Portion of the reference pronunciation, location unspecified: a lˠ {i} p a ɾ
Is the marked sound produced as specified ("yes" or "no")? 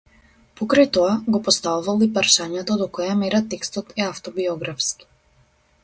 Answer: yes